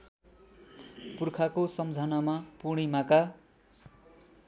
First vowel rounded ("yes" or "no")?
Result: yes